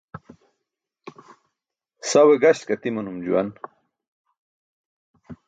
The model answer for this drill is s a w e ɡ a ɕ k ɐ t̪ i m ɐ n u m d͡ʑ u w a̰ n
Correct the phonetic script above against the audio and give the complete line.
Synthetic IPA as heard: s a w e ɡ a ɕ k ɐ t̪ i m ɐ n u m d͡ʑ u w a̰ n